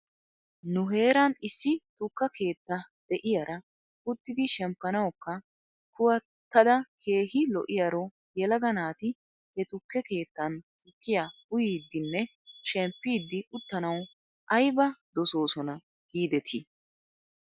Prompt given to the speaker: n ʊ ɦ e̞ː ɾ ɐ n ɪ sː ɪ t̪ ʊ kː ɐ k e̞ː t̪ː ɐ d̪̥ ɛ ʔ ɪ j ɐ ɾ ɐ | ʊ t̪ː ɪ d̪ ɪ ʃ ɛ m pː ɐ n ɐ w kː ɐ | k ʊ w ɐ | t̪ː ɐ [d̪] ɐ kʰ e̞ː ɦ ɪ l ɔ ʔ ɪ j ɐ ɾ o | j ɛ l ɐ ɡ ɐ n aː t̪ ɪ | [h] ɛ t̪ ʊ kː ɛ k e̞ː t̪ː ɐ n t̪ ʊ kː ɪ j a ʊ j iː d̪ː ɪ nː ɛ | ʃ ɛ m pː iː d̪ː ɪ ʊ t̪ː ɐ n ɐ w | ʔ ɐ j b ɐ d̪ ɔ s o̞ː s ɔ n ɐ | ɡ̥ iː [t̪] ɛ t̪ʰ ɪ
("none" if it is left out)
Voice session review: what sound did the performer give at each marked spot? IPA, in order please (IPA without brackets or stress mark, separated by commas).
d̪, h, d̪